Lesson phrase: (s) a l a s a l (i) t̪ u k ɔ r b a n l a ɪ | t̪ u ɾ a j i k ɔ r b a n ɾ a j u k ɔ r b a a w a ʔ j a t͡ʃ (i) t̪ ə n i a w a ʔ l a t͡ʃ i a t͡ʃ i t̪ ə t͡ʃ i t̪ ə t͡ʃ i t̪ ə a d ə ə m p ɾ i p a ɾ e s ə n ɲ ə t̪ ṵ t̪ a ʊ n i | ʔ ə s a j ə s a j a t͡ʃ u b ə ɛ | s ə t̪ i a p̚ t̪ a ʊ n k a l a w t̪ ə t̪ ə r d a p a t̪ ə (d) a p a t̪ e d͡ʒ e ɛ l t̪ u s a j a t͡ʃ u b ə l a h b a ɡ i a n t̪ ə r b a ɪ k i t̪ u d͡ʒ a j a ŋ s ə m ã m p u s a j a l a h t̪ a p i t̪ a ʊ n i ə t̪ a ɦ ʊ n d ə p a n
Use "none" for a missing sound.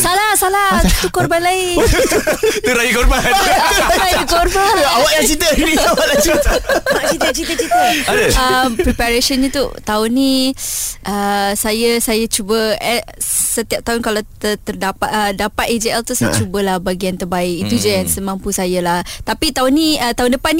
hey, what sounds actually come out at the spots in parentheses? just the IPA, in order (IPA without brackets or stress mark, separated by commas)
s, a, i, d